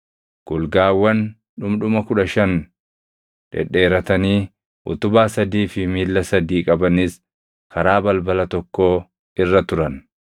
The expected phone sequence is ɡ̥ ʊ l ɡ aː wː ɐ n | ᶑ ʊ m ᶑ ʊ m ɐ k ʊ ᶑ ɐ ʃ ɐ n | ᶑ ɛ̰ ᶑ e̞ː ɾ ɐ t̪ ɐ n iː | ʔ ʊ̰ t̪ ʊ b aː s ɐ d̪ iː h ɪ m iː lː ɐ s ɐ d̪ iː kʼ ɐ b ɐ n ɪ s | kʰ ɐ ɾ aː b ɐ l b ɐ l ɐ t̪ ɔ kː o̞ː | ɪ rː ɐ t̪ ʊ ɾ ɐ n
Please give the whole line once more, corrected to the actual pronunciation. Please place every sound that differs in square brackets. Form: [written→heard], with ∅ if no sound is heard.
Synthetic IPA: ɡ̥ ʊ l ɡ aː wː ɐ n | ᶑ ʊ m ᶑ ʊ m ɐ k ʊ ᶑ ɐ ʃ ɐ n | ᶑ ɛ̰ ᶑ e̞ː ɾ ɐ t̪ ɐ n iː | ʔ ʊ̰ t̪ ʊ b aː s ɐ d̪ iː [h→f] ɪ m iː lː ɐ s ɐ d̪ iː kʼ ɐ b ɐ n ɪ s | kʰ ɐ ɾ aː b ɐ l b ɐ l ɐ t̪ ɔ kː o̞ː | ɪ rː ɐ t̪ ʊ ɾ ɐ n